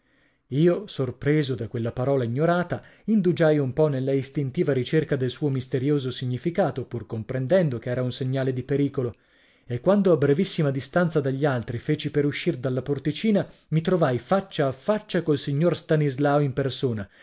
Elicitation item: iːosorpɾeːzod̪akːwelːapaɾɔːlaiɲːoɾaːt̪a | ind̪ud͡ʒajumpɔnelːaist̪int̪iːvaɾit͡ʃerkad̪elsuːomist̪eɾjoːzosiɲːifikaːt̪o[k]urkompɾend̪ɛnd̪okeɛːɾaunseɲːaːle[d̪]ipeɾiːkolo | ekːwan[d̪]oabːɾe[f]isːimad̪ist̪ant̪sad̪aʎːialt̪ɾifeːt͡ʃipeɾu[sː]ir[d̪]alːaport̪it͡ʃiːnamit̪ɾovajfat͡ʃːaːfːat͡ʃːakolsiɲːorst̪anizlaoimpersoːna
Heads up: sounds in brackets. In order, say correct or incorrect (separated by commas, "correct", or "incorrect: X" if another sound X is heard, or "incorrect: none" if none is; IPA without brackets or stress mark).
incorrect: p, correct, correct, incorrect: v, incorrect: ʃː, correct